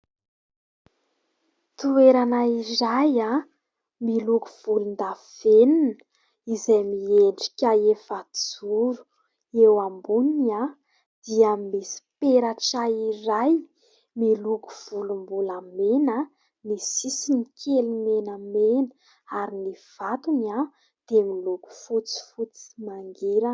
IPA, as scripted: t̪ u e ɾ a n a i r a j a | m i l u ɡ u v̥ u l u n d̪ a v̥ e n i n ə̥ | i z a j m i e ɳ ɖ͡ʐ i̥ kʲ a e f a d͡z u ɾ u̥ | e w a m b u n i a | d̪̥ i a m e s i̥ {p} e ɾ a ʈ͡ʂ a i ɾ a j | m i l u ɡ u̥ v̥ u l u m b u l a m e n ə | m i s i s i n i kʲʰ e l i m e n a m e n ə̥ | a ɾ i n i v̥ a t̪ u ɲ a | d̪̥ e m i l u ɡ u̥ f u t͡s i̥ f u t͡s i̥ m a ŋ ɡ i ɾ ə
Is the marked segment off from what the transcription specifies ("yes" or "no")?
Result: no